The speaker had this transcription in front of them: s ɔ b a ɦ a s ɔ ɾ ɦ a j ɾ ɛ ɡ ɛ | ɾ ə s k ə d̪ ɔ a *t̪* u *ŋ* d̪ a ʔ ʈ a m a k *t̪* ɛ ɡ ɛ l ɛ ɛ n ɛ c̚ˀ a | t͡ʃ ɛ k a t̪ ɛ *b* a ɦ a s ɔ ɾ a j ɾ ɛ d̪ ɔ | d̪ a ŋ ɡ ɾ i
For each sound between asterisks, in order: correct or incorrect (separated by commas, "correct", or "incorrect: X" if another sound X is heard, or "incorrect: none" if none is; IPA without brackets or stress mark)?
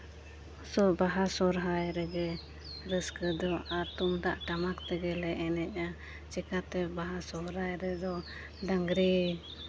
correct, incorrect: m, correct, correct